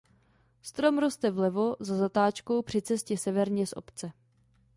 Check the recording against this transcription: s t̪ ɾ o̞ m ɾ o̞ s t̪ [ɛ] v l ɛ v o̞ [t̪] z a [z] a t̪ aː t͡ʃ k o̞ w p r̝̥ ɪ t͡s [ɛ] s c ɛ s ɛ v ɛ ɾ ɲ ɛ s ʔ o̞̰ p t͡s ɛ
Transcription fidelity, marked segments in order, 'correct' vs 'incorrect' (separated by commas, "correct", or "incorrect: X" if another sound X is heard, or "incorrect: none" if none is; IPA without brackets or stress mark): correct, incorrect: none, correct, correct